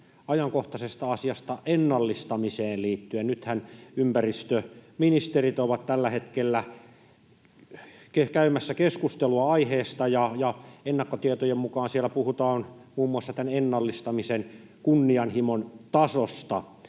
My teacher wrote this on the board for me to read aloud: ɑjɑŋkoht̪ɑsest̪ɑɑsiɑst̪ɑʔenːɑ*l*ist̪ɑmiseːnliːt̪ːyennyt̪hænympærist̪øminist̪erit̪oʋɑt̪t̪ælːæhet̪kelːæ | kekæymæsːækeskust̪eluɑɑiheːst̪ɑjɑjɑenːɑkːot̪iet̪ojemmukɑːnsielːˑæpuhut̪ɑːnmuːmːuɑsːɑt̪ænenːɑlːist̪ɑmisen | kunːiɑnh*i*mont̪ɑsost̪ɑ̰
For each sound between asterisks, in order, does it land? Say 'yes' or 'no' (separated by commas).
no, yes